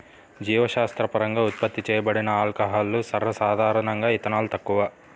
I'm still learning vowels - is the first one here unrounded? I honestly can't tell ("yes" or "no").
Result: yes